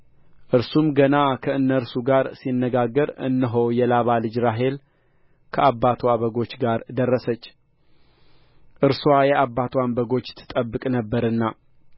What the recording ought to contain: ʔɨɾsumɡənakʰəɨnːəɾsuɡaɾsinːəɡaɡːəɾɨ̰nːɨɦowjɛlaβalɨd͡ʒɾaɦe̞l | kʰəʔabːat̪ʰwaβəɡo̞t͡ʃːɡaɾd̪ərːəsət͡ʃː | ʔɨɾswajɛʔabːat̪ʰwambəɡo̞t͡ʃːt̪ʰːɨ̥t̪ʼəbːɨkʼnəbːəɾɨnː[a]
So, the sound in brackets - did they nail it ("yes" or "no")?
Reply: yes